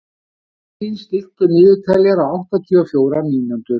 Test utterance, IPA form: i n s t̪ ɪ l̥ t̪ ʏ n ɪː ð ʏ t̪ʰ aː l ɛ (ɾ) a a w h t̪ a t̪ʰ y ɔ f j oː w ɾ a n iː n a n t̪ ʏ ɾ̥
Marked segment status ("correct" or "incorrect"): correct